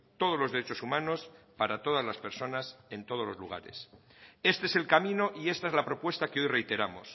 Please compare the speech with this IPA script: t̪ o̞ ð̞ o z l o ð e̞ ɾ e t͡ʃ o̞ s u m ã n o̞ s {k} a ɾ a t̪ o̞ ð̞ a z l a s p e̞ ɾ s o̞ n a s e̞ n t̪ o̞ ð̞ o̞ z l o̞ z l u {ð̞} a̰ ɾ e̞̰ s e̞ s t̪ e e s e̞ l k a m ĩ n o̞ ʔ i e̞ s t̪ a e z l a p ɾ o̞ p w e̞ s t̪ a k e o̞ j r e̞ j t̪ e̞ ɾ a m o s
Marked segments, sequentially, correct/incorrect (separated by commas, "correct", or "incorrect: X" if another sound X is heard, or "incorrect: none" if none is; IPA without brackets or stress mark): incorrect: p, incorrect: ɣ̞